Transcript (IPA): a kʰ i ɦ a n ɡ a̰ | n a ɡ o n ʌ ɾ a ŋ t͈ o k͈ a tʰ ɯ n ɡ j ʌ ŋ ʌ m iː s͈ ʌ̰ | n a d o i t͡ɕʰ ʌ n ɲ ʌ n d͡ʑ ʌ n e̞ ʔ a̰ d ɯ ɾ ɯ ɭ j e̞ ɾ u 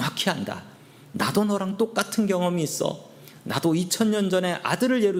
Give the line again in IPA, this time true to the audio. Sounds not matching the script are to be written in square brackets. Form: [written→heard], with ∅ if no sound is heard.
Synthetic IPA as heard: a kʰ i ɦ a n [ɡ→d] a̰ | n a [ɡ→d] o n ʌ ɾ a ŋ t͈ o k͈ a tʰ ɯ n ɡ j ʌ ŋ ʌ m iː s͈ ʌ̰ | n a d o i t͡ɕʰ ʌ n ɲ ʌ n d͡ʑ ʌ n e̞ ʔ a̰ d ɯ ɾ ɯ ɭ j e̞ ɾ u